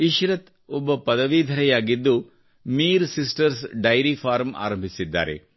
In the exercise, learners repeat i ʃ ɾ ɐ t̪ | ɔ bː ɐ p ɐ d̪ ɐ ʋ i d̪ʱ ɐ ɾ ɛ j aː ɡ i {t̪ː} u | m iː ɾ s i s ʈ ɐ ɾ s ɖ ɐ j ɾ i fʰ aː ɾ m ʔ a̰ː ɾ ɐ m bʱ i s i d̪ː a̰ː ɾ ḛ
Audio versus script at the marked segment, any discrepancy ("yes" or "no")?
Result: yes